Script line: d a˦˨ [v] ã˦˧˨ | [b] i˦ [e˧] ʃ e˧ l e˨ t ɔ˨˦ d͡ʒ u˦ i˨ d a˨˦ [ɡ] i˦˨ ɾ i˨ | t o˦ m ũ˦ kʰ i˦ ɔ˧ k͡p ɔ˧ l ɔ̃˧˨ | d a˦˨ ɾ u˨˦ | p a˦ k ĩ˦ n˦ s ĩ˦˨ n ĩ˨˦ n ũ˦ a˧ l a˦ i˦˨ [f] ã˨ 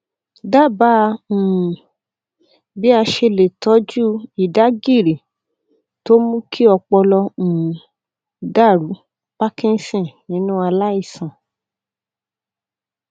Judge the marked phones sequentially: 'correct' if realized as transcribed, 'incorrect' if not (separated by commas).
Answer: incorrect, correct, incorrect, correct, incorrect